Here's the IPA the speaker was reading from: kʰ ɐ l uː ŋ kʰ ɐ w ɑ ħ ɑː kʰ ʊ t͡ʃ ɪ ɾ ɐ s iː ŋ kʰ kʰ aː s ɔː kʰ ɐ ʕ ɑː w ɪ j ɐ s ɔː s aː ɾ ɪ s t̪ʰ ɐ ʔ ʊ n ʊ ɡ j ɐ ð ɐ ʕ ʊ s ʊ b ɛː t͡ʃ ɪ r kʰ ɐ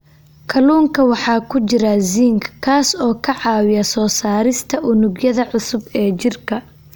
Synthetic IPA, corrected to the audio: kʰ ɐ l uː ŋ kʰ ɐ w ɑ ħ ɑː kʰ ʊ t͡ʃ ɪ ɾ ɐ z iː ŋ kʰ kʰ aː s ɔː kʰ ɐ ʕ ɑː w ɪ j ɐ s ɔː s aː ɾ ɪ s t̪ʰ ɐ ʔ ʊ n ʊ ɡ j ɐ ð ɐ ʕ ʊ s ʊ b ɛː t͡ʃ ɪ r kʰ ɐ